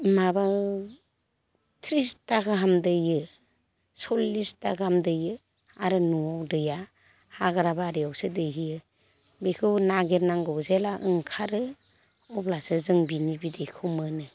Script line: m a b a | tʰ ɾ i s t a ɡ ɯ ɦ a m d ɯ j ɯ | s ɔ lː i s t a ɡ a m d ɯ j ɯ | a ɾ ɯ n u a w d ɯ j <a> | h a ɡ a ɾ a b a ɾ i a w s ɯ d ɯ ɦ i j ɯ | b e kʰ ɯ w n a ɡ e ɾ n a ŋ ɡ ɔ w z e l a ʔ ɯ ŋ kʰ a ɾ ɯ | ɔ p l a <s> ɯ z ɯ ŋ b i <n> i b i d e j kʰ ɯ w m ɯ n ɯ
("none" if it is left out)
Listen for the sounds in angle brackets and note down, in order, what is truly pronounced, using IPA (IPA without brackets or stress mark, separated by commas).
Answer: a, s, n